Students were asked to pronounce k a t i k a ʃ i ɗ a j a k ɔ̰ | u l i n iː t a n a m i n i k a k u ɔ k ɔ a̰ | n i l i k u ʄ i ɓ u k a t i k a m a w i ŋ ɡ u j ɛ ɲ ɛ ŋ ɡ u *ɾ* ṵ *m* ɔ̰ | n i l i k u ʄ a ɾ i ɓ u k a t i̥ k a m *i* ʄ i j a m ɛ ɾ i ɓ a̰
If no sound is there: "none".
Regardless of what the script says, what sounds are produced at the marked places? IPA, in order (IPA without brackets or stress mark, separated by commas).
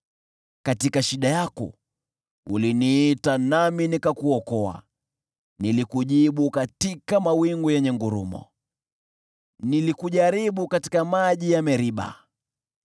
ɾ, m, a